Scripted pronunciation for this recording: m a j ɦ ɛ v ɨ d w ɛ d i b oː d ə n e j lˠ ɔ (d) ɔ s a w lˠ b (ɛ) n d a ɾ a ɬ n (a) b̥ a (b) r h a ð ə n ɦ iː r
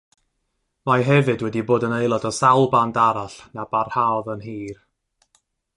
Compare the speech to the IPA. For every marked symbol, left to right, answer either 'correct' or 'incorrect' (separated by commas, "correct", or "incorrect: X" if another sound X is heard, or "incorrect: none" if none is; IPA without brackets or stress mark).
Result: correct, incorrect: a, correct, incorrect: none